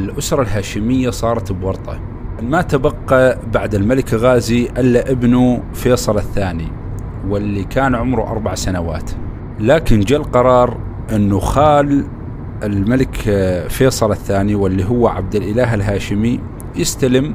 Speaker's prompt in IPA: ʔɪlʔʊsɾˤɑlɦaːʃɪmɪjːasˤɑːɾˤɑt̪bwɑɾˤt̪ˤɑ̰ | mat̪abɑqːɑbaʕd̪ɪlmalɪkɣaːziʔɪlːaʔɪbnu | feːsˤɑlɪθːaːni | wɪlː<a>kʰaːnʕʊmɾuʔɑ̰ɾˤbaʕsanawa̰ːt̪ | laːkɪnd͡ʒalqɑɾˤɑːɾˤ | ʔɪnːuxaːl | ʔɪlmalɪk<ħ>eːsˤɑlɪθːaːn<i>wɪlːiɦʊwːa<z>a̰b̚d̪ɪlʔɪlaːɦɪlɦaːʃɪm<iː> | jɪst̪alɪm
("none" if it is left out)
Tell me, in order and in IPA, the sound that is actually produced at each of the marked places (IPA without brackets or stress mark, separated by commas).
i, f, i, ʕ, i